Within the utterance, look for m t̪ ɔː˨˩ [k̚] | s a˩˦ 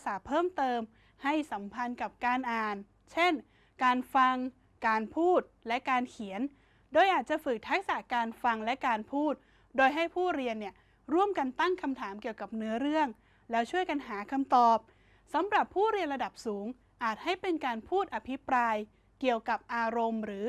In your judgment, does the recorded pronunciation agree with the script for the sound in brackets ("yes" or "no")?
no